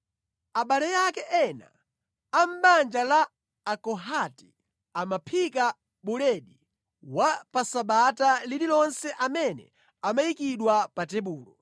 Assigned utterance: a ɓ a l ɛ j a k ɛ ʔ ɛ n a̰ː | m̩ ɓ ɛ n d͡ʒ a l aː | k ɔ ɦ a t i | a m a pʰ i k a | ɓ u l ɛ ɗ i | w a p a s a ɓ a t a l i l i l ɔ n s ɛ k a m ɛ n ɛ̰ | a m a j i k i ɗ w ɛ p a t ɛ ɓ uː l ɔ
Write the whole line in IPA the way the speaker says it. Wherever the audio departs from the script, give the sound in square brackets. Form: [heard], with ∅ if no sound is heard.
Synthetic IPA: a ɓ a l ɛ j a k ɛ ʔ ɛ n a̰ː | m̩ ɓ [a] n d͡ʒ a l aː | k ɔ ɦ a t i | a m a pʰ i k a | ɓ u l ɛ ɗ i | w a p a s a ɓ a t a l i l i l ɔ n s ɛ [ʔ] a m ɛ n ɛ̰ | a m a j i k i ɗ w [a] p a t ɛ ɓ uː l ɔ